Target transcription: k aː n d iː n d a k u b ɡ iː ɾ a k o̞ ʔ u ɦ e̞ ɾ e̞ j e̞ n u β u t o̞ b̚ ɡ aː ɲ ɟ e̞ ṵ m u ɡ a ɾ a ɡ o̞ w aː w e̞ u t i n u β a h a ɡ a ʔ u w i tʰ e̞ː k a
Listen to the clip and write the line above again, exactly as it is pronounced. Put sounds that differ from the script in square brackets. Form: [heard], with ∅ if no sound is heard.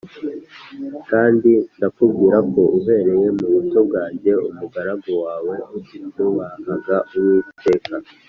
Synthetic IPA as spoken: k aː n d [i] n d a k u b ɡ iː ɾ a k o̞ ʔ u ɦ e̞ ɾ e̞ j e̞ [m] u β u t o̞ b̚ ɡ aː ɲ ɟ e̞ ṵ m u ɡ a ɾ a ɡ o̞ w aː w e̞ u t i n u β a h a ɡ a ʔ u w i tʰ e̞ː k a